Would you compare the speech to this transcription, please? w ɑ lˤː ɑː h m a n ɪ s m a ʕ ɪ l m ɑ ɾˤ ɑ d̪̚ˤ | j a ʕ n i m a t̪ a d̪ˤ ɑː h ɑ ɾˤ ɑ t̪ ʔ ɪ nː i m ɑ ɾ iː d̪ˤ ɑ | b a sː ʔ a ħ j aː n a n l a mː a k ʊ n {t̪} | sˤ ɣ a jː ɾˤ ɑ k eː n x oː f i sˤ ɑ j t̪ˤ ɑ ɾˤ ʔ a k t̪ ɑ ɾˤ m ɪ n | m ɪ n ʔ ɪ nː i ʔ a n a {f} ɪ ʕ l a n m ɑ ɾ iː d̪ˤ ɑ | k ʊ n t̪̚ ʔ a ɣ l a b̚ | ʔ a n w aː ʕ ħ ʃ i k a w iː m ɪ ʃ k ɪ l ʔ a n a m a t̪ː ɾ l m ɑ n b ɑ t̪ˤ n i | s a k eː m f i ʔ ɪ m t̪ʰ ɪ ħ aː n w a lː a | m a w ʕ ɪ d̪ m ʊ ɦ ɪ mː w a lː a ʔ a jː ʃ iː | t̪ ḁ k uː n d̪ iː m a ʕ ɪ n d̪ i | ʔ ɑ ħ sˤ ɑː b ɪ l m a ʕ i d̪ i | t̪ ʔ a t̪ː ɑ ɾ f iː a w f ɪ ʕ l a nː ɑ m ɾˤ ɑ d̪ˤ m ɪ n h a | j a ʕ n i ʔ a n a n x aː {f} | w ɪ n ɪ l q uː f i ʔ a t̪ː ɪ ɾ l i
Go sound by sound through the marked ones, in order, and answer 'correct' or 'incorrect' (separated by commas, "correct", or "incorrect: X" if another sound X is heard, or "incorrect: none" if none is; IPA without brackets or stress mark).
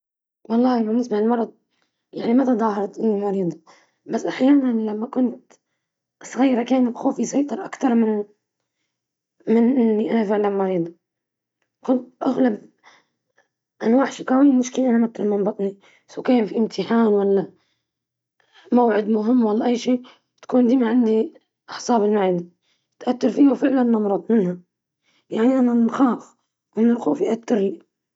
correct, correct, correct